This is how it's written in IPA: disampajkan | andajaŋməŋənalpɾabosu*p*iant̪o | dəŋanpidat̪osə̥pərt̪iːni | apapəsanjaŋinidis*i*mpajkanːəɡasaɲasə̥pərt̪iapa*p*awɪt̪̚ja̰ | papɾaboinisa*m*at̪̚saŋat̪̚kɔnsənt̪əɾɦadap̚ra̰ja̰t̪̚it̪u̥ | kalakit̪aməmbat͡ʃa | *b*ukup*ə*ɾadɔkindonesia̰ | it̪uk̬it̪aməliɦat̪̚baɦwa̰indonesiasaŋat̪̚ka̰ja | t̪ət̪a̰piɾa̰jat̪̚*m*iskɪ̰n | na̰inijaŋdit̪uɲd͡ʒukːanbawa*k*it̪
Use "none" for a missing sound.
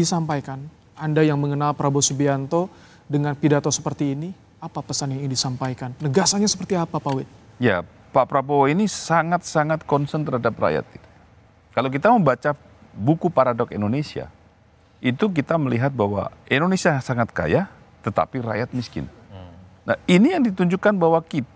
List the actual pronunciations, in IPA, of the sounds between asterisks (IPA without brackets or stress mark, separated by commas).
b, a, p, ŋ, b, a, m, k